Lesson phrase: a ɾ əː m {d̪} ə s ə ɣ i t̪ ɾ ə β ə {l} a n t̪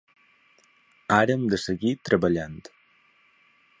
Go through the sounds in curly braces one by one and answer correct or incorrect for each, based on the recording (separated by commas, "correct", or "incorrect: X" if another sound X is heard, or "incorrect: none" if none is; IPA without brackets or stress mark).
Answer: correct, incorrect: ʎ